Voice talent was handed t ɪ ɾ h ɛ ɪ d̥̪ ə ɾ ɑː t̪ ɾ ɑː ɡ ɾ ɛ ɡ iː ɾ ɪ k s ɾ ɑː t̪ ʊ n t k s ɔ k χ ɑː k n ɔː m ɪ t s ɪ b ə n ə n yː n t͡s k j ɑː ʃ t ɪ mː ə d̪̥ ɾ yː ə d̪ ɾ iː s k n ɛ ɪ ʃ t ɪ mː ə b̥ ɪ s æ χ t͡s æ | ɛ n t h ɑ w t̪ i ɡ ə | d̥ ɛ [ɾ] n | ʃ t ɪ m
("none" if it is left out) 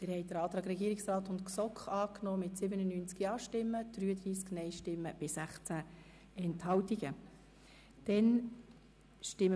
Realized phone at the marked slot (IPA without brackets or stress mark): none